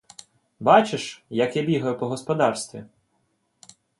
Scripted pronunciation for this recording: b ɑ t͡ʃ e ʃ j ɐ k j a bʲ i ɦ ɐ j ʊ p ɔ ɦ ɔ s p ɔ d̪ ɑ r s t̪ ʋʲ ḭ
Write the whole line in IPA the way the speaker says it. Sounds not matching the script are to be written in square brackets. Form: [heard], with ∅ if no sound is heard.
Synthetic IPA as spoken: b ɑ t͡ʃ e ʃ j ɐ k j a bʲ i ɦ ɐ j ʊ p ɔ ɦ ɔ s p ɔ d̪ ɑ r s t̪ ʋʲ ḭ